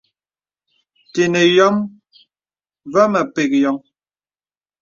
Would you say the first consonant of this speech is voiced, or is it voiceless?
voiceless